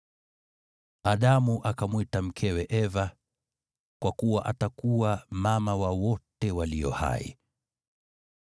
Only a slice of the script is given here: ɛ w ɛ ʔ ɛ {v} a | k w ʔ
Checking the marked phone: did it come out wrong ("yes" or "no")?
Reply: no